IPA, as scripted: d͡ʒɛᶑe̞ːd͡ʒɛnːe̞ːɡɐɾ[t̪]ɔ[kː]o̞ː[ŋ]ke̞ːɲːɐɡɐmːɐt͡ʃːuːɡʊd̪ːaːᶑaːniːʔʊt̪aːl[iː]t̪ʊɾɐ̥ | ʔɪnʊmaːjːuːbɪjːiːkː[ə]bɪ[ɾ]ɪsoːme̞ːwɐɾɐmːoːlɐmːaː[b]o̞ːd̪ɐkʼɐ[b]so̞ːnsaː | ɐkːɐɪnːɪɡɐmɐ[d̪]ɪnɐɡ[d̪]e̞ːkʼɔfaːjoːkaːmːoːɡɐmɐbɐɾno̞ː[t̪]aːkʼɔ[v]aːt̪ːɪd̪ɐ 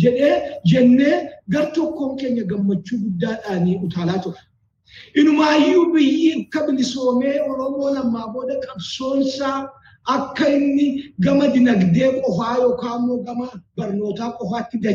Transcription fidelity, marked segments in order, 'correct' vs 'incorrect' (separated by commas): correct, correct, correct, incorrect, incorrect, incorrect, correct, correct, correct, correct, correct, incorrect